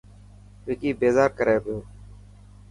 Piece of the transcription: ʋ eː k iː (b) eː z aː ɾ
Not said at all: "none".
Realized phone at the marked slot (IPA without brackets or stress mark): b